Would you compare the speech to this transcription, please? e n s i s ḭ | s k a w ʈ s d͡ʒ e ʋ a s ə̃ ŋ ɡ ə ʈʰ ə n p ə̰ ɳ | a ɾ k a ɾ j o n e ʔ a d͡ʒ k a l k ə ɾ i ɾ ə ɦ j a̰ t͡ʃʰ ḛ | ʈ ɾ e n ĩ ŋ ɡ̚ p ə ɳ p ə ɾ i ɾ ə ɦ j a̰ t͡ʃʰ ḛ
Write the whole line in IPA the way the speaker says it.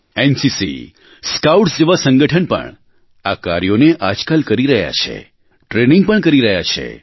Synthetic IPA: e n s i s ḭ | s k a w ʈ s d͡ʒ e ʋ a s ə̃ ŋ ɡ ə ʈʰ ə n p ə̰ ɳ | a k a ɾ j o n e ʔ a d͡ʒ k a l k ə ɾ i ɾ ə ɦ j a̰ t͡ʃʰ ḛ | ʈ ɾ e n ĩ ŋ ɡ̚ p ə ɳ k ə ɾ i ɾ ə ɦ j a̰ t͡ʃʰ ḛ